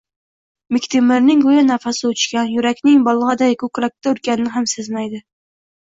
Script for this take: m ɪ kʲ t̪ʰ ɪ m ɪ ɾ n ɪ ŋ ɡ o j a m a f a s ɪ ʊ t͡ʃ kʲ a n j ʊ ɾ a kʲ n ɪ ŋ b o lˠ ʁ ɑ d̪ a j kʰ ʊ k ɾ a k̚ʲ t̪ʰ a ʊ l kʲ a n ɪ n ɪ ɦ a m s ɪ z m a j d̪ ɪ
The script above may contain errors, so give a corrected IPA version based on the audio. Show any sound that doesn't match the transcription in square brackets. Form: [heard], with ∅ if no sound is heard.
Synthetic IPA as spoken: m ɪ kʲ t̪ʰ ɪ m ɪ ɾ n ɪ ŋ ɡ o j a [n] a f a s ɪ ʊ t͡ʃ kʲ a n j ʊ ɾ a kʲ n ɪ ŋ b [ɒ] lˠ ʁ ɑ d̪ a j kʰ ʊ k ɾ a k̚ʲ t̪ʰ a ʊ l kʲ a n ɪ n ɪ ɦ a m s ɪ z m a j d̪ ɪ